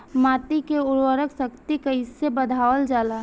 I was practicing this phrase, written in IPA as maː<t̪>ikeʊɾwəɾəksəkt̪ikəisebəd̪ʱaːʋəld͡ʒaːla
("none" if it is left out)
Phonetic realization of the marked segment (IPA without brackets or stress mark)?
t̪